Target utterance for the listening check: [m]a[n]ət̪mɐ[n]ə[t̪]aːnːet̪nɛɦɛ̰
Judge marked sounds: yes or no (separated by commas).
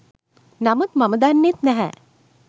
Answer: no, no, no, no